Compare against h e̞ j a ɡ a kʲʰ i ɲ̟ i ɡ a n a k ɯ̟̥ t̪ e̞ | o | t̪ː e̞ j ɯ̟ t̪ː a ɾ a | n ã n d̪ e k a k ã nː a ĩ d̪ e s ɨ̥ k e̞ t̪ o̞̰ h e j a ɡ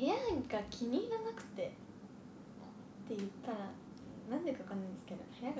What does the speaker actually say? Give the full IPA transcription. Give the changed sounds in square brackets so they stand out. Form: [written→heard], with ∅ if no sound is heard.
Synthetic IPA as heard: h e̞ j a ɡ a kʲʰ i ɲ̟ i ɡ a n a k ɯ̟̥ t̪ e̞ | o | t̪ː e̞ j ɯ̟ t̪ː a ɾ a | n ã n d̪ e k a k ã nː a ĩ d̪ e s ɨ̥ k e̞ [t̪→d̪] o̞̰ h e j a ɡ

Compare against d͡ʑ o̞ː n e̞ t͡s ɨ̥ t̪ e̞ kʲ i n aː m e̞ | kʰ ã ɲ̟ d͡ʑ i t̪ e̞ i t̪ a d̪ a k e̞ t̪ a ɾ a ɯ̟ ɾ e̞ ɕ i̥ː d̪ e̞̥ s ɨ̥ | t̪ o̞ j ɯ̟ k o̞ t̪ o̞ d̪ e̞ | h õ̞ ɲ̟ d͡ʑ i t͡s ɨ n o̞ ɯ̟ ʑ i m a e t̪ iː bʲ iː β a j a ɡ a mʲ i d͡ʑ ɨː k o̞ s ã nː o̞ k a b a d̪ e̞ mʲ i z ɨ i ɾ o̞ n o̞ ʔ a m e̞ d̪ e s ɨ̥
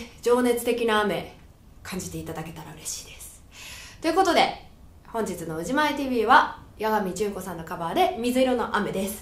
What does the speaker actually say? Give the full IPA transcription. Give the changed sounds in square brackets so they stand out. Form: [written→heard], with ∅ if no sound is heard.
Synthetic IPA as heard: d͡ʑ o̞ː n e̞ t͡s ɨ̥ t̪ e̞ kʲ i n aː m e̞ | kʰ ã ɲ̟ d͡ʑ i t̪ e̞ i t̪ a d̪ a k e̞ t̪ a ɾ a ɯ̟ ɾ e̞ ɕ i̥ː d̪ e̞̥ s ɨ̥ | t̪ o̞ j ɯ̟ k o̞ t̪ o̞ d̪ e̞ | h õ̞ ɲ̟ d͡ʑ i t͡s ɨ n o̞ ɯ̟ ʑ i m a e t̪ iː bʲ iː β a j a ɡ a mʲ i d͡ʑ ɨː k o̞ s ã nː o̞ k a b a d̪ e̞ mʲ i z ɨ i ɾ o̞ n o̞ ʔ a m e̞ d̪ e s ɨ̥

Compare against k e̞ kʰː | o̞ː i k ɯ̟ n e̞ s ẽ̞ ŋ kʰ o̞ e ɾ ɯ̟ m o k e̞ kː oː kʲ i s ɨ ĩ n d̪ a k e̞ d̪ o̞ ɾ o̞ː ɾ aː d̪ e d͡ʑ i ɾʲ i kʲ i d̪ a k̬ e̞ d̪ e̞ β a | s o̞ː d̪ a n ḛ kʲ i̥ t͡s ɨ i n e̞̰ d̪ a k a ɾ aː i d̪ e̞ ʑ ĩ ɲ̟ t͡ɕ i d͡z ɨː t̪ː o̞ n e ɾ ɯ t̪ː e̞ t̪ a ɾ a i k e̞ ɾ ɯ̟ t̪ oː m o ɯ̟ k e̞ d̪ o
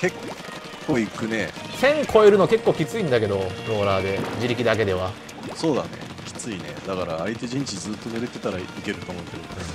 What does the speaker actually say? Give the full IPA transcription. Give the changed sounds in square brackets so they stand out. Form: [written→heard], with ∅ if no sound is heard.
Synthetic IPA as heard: k e̞ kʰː | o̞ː i k ɯ̟ n e̞ s ẽ̞ ŋ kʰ o̞ e ɾ ɯ̟ [m→n] o k e̞ kː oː kʲ i [s→t͡s] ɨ ĩ n d̪ a k e̞ d̪ o̞ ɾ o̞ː ɾ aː d̪ e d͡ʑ i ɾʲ i kʲ i d̪ a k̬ e̞ d̪ e̞ β a | s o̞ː d̪ a n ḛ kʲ i̥ t͡s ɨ i n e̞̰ d̪ a k a ɾ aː i [d̪→t̪] e̞ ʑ ĩ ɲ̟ t͡ɕ i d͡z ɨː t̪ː o̞ n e ɾ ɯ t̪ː e̞ t̪ a ɾ a i k e̞ ɾ ɯ̟ t̪ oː m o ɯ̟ k e̞ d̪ o

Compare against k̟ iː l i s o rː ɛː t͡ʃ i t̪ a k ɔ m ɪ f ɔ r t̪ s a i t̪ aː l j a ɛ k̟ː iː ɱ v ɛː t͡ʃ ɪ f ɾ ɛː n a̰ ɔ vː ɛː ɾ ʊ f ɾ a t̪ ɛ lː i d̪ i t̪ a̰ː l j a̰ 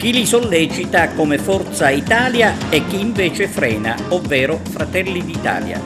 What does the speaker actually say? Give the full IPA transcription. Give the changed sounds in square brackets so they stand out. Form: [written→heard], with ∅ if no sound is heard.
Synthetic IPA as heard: k̟ [iː→i] l i s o [rː→lː] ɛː t͡ʃ i t̪ a k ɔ m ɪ f ɔ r t̪ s a i t̪ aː l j a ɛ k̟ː iː ɱ v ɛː t͡ʃ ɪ f ɾ ɛː n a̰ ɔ vː ɛː ɾ ʊ f ɾ a t̪ ɛ lː i d̪ i t̪ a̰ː l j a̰

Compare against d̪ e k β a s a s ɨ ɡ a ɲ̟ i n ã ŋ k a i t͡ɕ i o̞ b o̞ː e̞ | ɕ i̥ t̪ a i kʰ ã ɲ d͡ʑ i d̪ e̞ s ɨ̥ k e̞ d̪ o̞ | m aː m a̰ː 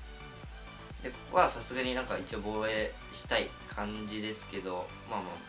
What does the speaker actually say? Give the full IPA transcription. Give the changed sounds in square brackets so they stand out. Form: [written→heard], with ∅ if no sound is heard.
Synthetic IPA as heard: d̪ e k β a s a s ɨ ɡ a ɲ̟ i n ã ŋ k a i t͡ɕ i o̞ b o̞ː e̞ | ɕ i̥ t̪ a i kʰ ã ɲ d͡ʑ i d̪ e̞ s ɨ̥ k e̞ d̪ o̞ | m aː m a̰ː

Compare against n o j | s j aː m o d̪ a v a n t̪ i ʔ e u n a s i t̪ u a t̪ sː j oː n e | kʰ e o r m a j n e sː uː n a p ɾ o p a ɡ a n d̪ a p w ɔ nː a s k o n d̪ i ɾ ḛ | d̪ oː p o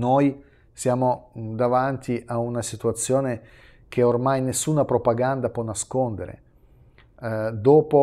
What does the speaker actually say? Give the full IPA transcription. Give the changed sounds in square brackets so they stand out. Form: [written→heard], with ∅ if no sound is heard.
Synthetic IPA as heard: n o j | s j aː m o d̪ a v a n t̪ i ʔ [e→a] u n a s i t̪ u a t̪ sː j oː n e | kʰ e o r m a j n e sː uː n a p ɾ o p a ɡ a n d̪ a p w ɔ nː a s k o n d̪ [i→e] ɾ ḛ | d̪ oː p o

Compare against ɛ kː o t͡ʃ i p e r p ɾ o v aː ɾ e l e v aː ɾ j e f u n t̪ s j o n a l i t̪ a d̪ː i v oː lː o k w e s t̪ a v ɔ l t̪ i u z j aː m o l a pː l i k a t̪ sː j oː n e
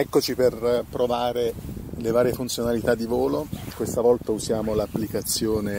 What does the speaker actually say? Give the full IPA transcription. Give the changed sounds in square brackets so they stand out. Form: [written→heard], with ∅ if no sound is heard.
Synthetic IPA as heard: ɛ kː o t͡ʃ i p e r p ɾ o v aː ɾ e l e v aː ɾ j e f u n t̪ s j o n a l i t̪ a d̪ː i v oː [lː→l] o k w e s t̪ a v ɔ l t̪ [i→a] u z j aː m o l a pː l i k a t̪ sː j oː n e

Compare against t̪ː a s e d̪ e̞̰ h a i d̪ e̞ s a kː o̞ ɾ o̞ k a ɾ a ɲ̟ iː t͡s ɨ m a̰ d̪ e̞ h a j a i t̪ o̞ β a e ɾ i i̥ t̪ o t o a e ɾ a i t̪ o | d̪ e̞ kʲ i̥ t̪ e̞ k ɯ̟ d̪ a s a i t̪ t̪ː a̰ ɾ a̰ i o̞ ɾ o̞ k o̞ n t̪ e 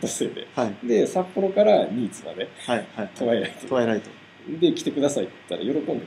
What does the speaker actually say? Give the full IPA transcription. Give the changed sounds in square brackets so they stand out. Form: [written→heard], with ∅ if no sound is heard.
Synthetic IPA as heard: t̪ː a s e d̪ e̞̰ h a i d̪ e̞ s a [kː→pː] o̞ ɾ o̞ k a ɾ a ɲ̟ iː t͡s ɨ m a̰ d̪ e̞ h a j a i t̪ o̞ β a e ɾ [i→a] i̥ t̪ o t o a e ɾ a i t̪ o | d̪ e̞ kʲ i̥ t̪ e̞ k ɯ̟ d̪ a s a i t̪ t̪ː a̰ ɾ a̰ [i→j] o̞ ɾ o̞ k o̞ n [t̪→d̪] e

